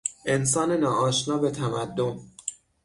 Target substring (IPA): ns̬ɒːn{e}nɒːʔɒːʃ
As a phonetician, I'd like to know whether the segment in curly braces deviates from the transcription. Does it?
no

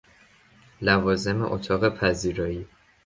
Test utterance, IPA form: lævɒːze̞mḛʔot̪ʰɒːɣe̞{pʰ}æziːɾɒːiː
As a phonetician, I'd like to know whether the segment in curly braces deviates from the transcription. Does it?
no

